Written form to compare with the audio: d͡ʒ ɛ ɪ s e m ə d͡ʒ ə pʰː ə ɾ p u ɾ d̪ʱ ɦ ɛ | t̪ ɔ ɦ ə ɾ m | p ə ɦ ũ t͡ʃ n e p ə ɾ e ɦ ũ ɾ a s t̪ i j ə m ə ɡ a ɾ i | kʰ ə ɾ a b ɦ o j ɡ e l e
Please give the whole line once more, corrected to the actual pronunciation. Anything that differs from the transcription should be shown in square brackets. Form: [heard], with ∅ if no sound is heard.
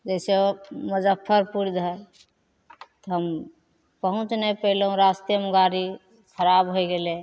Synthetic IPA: d͡ʒ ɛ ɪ s e m ə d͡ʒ ə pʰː ə ɾ p u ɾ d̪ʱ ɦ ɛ | t̪ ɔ ɦ ə [∅] m | p ə ɦ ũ t͡ʃ n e p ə [l] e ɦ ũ ɾ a s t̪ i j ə m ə ɡ a ɾ i | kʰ ə ɾ a b ɦ o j ɡ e l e